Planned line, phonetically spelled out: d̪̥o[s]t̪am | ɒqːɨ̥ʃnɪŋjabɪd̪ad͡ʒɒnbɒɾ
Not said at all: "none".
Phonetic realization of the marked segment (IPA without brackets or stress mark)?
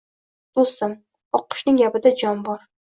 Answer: s